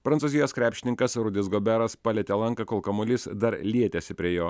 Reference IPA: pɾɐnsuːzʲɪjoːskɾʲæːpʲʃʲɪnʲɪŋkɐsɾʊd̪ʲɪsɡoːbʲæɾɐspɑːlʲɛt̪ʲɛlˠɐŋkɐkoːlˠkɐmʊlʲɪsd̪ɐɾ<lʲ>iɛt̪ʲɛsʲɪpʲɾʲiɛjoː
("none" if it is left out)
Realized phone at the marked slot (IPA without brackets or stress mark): lʲ